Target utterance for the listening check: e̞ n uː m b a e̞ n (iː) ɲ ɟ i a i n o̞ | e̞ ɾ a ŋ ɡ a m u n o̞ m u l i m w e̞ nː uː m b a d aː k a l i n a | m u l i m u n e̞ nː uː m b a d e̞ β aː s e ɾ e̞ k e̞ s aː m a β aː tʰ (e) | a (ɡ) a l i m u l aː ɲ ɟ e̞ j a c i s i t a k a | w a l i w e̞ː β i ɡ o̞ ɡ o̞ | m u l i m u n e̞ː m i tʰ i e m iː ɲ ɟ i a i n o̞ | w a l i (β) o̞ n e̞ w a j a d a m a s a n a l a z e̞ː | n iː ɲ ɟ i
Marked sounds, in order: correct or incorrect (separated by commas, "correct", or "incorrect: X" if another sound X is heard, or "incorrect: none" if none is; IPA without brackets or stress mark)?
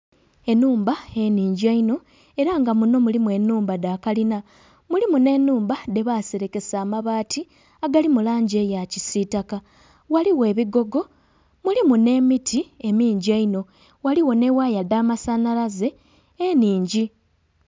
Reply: correct, incorrect: i, correct, incorrect: w